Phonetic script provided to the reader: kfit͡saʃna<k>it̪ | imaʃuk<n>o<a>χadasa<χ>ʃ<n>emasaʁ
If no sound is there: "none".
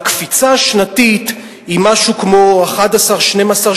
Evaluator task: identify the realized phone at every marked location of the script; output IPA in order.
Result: t, m, a, ʁ, n

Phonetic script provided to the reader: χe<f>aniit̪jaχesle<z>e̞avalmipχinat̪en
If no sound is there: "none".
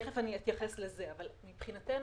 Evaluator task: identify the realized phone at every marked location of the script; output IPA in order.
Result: f, z

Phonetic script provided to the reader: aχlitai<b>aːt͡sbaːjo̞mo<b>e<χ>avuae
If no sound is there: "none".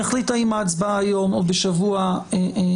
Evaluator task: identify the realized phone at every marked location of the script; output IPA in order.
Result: m, b, ʃ

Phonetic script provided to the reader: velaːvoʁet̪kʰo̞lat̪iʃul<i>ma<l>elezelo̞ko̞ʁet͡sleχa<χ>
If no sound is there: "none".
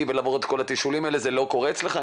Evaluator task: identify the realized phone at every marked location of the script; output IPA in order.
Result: i, none, none

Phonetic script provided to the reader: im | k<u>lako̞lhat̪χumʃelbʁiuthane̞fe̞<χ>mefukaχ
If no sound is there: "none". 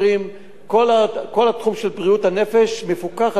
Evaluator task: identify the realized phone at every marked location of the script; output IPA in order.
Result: o, ʃ

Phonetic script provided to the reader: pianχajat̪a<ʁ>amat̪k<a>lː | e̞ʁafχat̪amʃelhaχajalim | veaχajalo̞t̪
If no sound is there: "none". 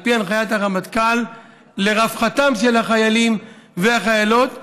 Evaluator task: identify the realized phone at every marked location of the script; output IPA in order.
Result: ʁ, a

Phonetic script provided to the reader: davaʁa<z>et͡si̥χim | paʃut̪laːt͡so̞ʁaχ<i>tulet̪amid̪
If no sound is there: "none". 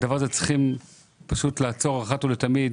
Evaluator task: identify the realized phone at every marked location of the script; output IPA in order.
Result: z, a

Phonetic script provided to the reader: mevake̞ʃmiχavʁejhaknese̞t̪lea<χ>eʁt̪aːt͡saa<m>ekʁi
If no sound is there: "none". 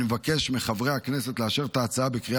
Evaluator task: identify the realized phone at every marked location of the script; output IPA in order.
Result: ʃ, b

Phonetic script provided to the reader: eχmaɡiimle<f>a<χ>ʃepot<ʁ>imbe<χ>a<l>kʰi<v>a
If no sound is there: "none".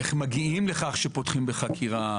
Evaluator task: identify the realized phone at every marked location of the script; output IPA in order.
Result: χ, χ, χ, χ, none, ʁ

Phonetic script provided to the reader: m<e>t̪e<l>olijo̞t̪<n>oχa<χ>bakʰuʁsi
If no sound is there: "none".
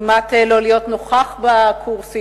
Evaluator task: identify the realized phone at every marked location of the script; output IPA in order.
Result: a, l, n, χ

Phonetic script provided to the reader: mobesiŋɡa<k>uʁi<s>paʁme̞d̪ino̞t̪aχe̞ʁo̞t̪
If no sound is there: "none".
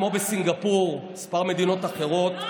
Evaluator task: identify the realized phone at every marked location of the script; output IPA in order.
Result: p, s

